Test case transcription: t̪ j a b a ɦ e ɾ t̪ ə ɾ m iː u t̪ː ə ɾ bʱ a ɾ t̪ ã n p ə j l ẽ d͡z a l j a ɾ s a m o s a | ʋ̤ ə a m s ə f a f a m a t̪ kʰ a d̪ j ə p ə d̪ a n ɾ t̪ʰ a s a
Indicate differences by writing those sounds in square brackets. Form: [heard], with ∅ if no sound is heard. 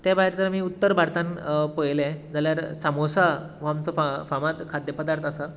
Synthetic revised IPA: t̪ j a b a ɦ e ɾ t̪ ə ɾ m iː u t̪ː ə ɾ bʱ a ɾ t̪ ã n p ə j l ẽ d͡z a l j a ɾ s a m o s a | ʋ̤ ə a m [t͡s] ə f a f a m a t̪ kʰ a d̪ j ə p ə d̪ a [∅] ɾ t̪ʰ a s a